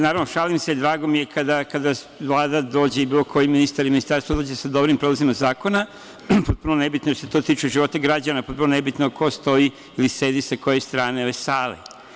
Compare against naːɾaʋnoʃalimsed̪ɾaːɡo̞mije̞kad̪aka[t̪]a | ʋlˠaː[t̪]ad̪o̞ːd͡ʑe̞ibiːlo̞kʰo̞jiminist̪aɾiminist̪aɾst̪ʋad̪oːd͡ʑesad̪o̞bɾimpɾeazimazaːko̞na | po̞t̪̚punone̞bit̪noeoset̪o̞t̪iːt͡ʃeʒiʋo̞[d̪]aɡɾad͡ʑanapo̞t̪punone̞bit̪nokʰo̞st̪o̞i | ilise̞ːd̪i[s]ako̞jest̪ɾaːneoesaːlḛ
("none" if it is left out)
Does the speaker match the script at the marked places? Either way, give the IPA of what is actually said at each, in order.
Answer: d̪, d̪, t̪, s

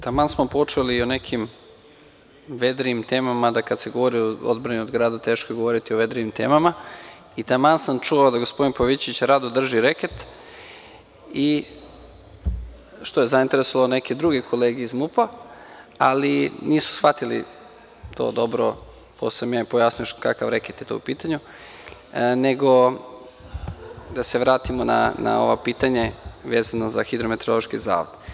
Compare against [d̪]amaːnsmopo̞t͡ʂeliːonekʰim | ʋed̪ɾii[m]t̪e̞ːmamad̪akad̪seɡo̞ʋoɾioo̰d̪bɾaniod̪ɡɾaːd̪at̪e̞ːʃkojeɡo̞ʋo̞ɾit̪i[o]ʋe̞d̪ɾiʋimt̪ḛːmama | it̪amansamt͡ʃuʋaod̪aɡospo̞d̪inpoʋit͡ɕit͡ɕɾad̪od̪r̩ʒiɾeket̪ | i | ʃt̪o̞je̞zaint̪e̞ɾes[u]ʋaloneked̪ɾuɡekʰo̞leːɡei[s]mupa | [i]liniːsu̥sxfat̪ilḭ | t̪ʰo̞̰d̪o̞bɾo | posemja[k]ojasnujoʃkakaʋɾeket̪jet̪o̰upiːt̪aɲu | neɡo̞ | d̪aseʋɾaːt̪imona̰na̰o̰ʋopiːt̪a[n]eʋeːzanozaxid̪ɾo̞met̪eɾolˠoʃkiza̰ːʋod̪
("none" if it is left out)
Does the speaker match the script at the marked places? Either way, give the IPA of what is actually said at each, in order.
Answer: t̪, m, o, o, z, a, p, ɲ

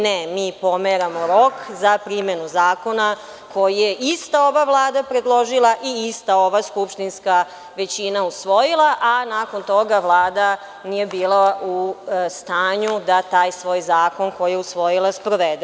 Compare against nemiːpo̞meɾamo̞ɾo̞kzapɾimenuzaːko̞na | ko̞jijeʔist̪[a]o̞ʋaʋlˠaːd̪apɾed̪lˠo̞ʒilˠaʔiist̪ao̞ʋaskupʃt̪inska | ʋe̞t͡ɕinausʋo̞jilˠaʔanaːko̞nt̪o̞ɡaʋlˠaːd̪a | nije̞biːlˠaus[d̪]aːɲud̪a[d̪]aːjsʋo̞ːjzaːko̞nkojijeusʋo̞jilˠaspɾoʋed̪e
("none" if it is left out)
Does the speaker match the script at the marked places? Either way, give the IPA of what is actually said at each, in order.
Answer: a, t̪, t̪

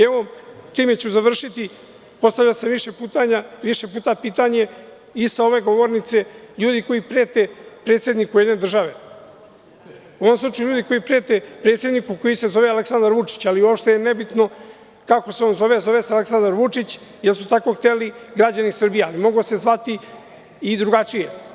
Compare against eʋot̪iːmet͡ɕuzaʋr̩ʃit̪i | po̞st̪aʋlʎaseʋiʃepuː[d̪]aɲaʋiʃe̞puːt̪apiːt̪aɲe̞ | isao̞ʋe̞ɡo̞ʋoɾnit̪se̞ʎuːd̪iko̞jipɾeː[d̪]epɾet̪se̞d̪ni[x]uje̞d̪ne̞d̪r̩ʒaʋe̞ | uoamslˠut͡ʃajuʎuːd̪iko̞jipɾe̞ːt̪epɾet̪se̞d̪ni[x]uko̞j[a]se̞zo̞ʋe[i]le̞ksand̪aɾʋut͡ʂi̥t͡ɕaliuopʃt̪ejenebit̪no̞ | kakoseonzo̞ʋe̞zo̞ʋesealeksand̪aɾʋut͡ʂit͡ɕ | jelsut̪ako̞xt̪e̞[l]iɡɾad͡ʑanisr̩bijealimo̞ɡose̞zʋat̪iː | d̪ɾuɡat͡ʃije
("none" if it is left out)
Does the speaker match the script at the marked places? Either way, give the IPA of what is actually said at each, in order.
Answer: t̪, t̪, k, k, i, a, l

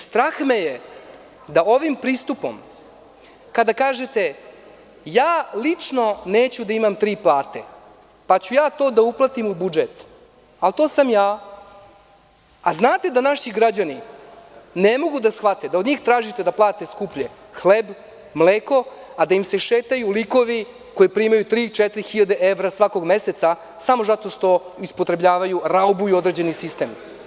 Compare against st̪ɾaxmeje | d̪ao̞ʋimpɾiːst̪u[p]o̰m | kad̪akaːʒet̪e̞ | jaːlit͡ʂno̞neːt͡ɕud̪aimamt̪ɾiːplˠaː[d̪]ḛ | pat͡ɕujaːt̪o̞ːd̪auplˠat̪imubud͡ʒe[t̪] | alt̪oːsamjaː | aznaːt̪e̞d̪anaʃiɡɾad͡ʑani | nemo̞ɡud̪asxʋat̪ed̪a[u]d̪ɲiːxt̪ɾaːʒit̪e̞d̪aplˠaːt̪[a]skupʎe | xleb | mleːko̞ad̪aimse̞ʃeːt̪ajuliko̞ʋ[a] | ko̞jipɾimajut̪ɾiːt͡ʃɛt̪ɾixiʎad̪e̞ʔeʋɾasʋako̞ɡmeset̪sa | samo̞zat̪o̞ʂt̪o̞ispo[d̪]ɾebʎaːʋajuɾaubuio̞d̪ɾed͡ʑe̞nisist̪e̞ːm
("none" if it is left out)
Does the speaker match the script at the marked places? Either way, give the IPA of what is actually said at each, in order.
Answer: p, t̪, t̪, o, e, i, t̪

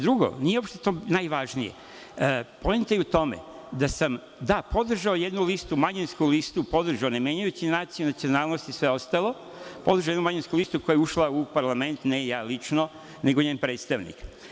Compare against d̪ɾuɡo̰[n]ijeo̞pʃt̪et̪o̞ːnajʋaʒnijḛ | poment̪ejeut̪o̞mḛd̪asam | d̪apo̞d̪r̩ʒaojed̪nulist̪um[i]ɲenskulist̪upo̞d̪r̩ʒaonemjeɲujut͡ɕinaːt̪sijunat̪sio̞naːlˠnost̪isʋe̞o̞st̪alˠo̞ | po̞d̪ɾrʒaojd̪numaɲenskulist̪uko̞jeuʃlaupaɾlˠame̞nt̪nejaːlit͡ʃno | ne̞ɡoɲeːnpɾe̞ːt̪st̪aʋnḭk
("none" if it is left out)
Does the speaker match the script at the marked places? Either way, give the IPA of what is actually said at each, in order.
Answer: n, a

